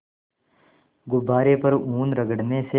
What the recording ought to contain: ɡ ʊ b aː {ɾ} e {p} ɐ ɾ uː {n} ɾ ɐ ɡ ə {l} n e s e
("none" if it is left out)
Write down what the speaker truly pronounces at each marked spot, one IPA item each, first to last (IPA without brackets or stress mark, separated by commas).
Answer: ɾ, p, n, ɽ